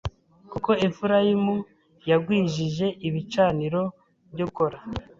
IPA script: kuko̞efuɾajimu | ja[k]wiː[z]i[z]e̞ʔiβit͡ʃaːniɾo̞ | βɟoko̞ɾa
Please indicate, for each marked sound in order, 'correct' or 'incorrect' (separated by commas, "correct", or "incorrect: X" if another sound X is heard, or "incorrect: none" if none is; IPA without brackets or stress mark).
incorrect: ɡ, incorrect: ʒ, incorrect: ʒ